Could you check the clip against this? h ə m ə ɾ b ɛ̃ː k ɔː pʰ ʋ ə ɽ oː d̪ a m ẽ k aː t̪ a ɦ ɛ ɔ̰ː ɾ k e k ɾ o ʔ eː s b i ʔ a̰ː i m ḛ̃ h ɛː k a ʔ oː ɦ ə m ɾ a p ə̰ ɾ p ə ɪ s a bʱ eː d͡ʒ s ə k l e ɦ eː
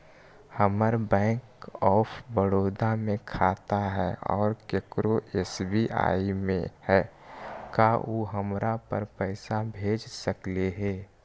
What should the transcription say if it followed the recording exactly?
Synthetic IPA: h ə m ə ɾ b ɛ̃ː k ɔː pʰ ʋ ə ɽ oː d̪ a m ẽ kʰ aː t̪ a ɦ ɛ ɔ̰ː ɾ k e k ɾ o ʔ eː s b i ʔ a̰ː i m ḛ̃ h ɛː k a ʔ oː ɦ ə m ɾ a p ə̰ ɾ p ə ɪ s a bʱ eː d͡ʒ s ə k l e ɦ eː